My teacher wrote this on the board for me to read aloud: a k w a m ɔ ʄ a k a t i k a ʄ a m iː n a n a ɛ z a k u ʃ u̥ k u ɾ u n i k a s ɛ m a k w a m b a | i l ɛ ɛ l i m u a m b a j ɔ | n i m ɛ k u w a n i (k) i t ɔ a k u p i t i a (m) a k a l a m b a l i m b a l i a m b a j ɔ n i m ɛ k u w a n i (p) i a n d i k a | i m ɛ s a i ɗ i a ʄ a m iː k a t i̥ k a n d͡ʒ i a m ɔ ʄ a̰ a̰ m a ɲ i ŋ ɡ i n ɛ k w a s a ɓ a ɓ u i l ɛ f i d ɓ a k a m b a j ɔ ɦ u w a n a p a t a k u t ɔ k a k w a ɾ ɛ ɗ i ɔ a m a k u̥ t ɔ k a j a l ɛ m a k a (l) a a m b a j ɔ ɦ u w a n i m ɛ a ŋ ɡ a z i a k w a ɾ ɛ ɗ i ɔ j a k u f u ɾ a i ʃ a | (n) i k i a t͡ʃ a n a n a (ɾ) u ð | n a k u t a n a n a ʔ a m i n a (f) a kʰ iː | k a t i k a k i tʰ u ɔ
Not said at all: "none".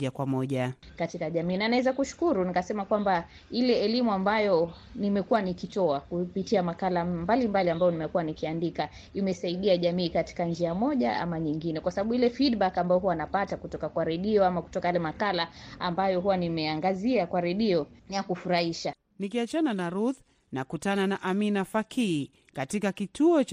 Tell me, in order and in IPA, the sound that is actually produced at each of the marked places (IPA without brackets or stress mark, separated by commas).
k, m, k, l, n, ɾ, f